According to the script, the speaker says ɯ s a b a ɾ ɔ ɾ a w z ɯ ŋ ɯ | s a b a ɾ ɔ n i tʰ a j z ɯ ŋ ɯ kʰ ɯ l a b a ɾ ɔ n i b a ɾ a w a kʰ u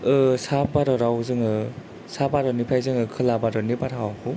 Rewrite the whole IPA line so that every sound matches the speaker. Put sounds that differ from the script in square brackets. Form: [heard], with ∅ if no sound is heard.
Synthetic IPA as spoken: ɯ s a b a ɾ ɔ ɾ a w z ɯ ŋ ɯ | s a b a ɾ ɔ n i [pʰ] a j z ɯ ŋ ɯ kʰ ɯ l a b a ɾ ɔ n i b a ɾ a w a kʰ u

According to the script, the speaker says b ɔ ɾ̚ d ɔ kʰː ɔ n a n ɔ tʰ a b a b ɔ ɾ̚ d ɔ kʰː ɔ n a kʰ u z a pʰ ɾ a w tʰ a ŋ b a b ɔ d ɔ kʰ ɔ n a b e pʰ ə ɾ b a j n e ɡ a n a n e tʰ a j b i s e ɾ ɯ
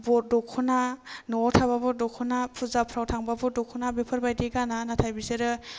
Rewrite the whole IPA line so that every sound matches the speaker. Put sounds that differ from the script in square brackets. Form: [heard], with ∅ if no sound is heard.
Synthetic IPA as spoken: b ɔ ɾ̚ d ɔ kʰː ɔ n a n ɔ tʰ a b a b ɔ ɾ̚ d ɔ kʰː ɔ n a [pʰ] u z a pʰ ɾ a w tʰ a ŋ b a b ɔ d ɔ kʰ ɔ n a b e pʰ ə ɾ b a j [d] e ɡ a n a n [a] tʰ a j b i s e ɾ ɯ

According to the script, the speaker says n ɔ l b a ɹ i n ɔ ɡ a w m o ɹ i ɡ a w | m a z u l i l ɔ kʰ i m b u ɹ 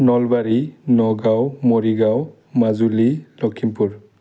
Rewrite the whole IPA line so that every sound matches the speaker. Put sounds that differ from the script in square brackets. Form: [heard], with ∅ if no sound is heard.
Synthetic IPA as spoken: n ɔ l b a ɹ i n ɔ ɡ a w m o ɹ i ɡ a w | m a z u l i l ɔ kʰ i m [p] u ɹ

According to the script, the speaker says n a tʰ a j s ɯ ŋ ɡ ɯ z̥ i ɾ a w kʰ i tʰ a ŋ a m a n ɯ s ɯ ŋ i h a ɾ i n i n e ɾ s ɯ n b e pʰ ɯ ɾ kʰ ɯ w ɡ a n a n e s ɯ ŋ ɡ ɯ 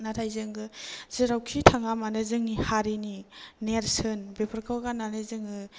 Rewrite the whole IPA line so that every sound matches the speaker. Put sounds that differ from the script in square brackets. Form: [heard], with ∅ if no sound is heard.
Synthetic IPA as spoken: n a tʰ a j [z] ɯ ŋ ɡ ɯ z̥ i ɾ a w kʰ i tʰ a ŋ a m a n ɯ [z] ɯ ŋ i h a ɾ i n i n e ɾ s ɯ n b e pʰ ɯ ɾ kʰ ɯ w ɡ a n a n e [z] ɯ ŋ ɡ ɯ

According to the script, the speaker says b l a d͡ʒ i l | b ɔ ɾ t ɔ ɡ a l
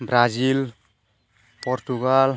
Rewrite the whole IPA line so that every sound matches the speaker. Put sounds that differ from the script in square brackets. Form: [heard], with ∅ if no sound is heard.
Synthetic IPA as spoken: b [ɾ] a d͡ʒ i l | [p] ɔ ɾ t [u] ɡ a l

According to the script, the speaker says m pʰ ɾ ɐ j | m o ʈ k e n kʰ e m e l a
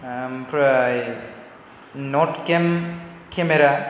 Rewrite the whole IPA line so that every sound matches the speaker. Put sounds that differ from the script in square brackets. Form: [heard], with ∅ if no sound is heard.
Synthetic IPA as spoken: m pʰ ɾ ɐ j | [n] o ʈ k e [m] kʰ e m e [ɾ] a

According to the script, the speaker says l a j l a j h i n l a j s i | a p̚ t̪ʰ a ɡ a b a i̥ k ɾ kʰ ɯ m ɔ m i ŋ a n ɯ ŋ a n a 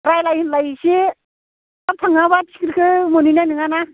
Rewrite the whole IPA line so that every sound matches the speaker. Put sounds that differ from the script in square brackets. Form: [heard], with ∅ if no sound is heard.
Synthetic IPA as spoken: [ɾ] a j l a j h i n l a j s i | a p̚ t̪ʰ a [ŋ] a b a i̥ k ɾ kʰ ɯ m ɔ [n] i [n] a n ɯ ŋ a n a

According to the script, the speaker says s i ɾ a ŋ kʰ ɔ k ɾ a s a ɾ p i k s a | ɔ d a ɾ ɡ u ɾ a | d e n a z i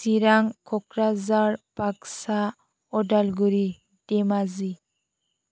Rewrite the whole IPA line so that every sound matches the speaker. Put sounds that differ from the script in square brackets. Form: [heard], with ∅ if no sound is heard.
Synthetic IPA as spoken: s i ɾ a ŋ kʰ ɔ k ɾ a [z] a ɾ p [a] k s a | ɔ d a [l] ɡ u ɾ [i] | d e [m] a z i

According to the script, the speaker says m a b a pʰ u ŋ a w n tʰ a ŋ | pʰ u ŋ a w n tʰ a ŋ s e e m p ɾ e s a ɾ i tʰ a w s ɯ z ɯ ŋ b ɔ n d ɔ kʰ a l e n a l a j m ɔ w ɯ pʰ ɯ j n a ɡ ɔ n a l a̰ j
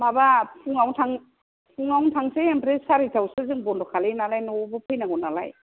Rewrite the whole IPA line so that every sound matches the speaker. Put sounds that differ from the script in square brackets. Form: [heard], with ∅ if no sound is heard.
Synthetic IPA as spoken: m a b a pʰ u ŋ a w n tʰ a ŋ | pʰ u ŋ a w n tʰ a ŋ s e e m p ɾ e s a ɾ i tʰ a w s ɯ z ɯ ŋ b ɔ n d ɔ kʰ a l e n a l a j [n] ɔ [b] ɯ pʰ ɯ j n a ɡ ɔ n a l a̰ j

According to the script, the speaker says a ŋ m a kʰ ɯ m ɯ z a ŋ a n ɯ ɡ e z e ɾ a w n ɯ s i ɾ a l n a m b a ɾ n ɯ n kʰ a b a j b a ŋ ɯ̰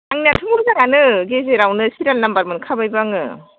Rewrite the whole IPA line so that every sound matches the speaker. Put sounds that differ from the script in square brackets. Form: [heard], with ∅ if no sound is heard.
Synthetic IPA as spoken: a ŋ [n] a [tʰ] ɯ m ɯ z a ŋ a n ɯ ɡ e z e ɾ a w n ɯ s i ɾ a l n a m b a ɾ [m] ɯ n kʰ a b a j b a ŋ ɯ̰

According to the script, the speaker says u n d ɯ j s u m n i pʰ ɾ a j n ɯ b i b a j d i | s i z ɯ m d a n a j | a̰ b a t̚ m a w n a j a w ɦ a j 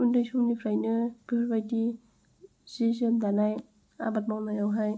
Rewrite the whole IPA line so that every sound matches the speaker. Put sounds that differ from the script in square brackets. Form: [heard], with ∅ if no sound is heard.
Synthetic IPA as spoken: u n d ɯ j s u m n i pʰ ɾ a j n ɯ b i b a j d i | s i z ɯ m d a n a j | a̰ b a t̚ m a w n a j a w ɦ a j

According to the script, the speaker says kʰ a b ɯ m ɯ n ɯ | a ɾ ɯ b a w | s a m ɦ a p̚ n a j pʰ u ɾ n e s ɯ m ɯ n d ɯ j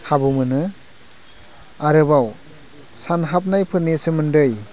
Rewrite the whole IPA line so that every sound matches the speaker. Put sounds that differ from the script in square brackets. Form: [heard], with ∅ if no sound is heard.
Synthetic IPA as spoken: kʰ a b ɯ m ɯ n ɯ | a ɾ ɯ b a w | s a [n] ɦ a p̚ n a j pʰ [ɯ] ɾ n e s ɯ m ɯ n d ɯ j

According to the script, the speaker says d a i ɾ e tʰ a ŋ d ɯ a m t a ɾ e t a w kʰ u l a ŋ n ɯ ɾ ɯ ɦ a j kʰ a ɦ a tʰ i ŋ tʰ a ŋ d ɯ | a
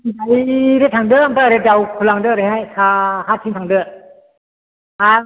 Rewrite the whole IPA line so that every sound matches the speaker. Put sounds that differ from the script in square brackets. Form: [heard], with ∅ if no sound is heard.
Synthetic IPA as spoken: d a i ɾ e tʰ a ŋ d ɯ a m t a ɾ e [d] a w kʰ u l a ŋ [d] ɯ ɾ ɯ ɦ a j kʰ a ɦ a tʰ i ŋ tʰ a ŋ d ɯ | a

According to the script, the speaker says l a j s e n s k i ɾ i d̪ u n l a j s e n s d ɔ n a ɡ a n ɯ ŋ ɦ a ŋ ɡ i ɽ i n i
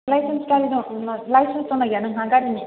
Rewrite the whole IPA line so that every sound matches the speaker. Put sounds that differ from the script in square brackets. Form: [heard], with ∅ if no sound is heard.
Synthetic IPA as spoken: l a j s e n s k [a] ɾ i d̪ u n l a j s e n s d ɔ n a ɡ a n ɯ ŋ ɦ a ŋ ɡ [a] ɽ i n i

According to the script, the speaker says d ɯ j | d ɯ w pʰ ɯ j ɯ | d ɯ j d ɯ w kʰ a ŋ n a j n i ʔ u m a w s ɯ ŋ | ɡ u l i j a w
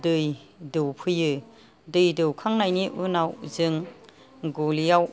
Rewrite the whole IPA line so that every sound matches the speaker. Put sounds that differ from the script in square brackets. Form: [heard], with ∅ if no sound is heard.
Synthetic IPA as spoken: d ɯ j | d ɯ w pʰ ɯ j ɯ | d ɯ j d ɯ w kʰ a ŋ n a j n i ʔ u [n] a w [z] ɯ ŋ | ɡ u l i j a w

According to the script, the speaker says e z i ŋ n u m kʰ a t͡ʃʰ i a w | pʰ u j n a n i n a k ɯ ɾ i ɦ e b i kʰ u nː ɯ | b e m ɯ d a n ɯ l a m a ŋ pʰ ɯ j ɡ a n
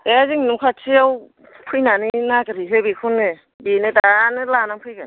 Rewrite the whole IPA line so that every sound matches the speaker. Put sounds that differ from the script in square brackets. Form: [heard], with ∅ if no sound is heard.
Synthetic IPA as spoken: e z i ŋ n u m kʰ a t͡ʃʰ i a w | pʰ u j n a n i n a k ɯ ɾ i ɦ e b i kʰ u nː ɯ | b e [n] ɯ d a n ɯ l a [n] a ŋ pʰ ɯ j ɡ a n

